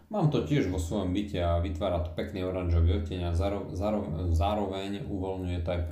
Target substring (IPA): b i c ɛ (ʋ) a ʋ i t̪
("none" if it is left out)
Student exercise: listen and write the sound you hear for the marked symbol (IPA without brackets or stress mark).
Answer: none